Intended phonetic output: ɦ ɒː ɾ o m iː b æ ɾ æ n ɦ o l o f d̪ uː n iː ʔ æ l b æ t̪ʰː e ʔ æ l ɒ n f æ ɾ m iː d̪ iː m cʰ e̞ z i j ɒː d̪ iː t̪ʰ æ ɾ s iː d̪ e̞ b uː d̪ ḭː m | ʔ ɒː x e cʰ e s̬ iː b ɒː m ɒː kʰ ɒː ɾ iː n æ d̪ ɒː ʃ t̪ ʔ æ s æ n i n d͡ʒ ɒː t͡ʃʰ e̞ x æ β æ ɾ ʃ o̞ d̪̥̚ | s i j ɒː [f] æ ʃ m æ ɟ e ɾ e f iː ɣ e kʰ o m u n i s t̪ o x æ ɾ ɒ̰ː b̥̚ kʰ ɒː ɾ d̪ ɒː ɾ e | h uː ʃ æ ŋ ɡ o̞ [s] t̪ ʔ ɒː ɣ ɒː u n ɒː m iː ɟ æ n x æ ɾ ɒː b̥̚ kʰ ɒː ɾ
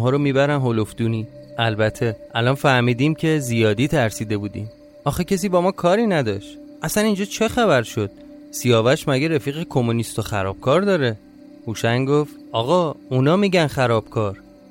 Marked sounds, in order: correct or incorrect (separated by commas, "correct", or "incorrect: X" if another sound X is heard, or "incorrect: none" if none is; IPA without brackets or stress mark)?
incorrect: v, incorrect: f